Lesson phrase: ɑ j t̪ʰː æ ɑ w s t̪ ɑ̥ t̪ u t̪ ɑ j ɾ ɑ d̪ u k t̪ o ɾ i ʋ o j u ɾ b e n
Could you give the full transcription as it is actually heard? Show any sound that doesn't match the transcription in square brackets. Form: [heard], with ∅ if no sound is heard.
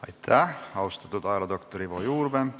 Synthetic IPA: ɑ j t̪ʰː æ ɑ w s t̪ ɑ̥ t̪ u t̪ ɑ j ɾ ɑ d̪ [o] k t̪ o ɾ i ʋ o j [uː] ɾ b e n

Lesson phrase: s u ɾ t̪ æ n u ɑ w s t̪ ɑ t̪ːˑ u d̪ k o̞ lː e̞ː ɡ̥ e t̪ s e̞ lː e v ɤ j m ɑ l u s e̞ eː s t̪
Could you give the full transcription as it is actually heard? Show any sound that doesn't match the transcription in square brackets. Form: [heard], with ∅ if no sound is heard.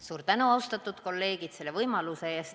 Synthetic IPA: s [uː] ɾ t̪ æ n u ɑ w s t̪ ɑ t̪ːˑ u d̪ k o̞ lː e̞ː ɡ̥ [i] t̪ s e̞ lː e v ɤ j m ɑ l u s e̞ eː s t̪

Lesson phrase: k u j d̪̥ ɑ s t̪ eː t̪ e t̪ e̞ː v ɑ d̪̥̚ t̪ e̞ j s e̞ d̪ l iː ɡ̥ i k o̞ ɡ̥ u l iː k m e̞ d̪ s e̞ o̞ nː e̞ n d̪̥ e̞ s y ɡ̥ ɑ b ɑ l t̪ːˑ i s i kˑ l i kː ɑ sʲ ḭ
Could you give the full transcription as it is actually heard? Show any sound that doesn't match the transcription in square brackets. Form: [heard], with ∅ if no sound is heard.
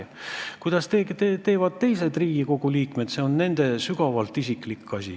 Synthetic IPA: k u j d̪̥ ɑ s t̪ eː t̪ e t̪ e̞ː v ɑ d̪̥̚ t̪ e̞ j s e̞ d̪ [r] iː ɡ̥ i k o̞ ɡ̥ u l iː k m e̞ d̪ s e̞ o̞ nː e̞ n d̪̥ e̞ s y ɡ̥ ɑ [v] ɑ l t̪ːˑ i s i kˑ l i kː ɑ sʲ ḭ

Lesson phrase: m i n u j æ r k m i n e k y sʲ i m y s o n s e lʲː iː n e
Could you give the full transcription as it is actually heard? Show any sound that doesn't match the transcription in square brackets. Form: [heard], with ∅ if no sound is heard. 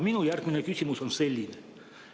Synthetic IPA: m i n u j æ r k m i n e k y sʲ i m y s o n s e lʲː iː n e

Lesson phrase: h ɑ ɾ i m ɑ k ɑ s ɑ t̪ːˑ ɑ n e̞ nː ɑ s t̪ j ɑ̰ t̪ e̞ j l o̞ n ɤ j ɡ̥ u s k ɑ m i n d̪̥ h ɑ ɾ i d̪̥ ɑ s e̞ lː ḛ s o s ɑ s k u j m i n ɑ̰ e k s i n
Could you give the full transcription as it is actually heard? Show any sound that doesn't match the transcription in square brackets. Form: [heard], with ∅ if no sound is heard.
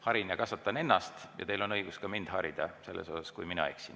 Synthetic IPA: h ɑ ɾ i [n] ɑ k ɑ s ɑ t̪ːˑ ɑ n e̞ nː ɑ s t̪ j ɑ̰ t̪ e̞ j l o̞ n ɤ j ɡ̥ u s k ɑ m i n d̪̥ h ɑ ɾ i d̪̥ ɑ s e̞ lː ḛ s o s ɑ s k u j m i n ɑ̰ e k s i n

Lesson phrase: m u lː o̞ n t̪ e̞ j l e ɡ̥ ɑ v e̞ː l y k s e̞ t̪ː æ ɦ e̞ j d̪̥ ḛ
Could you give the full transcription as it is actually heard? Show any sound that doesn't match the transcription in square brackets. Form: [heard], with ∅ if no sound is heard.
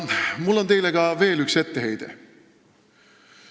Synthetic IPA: m u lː o̞ n t̪ e̞ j l e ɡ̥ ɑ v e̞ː l y k s e̞ t̪ː [e] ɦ e̞ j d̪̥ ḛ

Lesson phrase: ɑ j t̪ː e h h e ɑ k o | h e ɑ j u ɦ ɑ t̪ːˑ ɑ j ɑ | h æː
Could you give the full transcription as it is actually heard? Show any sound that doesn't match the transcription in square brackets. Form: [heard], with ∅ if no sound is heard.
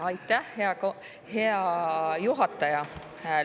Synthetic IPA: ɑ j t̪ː [æ] h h e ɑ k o | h e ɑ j u ɦ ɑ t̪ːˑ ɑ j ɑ | h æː

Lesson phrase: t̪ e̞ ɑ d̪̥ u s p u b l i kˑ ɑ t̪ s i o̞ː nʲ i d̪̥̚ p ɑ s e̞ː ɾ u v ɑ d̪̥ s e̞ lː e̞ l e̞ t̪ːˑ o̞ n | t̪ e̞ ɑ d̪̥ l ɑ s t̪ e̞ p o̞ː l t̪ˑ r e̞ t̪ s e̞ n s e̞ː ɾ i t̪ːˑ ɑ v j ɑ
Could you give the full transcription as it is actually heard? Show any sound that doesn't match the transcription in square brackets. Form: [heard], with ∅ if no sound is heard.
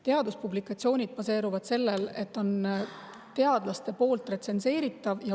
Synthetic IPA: t̪ e̞ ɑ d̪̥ u s p u b l i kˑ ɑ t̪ s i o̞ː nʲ i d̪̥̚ p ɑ s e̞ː ɾ u v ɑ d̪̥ s e̞ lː e̞ l e̞ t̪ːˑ o̞ n | t̪ e̞ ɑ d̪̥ l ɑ s t̪ e̞ p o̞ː l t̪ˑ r e̞ t̪ s e̞ n s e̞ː ɾ i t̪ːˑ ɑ v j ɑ

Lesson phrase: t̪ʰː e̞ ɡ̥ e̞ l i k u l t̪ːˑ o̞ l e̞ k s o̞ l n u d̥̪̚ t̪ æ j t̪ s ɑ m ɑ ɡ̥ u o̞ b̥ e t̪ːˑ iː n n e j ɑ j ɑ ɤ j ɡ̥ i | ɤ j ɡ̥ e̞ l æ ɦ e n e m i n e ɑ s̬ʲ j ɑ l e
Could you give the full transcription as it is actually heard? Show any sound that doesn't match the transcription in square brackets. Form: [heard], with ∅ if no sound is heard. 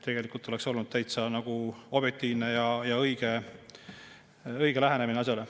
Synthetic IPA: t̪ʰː e̞ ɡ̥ e̞ l i k u l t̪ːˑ o̞ l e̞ k s o̞ l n u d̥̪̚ t̪ æ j t̪ s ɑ [n] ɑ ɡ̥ u o̞ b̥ e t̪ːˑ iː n n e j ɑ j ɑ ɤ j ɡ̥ [e] | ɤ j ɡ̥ e̞ l æ ɦ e n e m i n e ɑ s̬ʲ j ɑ l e

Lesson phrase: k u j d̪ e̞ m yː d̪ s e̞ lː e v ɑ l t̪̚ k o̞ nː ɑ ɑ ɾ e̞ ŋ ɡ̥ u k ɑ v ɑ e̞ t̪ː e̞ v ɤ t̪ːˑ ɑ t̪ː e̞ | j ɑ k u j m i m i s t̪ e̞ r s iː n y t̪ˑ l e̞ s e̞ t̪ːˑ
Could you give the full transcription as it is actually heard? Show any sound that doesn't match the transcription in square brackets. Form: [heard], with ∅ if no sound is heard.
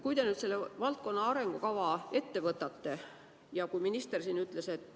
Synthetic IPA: k u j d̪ e̞ [n] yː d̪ s e̞ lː e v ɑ l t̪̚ k o̞ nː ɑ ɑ ɾ e̞ ŋ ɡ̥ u k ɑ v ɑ e̞ t̪ː e̞ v ɤ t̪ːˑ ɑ t̪ː e̞ | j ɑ k u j m i [n] i s t̪ e̞ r s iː n y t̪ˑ l e̞ s e̞ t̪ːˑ

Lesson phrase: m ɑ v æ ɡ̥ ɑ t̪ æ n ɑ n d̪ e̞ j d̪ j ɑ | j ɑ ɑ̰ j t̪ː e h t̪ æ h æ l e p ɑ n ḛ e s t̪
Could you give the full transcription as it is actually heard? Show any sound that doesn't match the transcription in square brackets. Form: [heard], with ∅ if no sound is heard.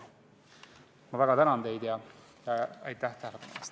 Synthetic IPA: m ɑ v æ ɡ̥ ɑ t̪ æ n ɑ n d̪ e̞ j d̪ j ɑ | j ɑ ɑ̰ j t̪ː [æ] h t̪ æ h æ l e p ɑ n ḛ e s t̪

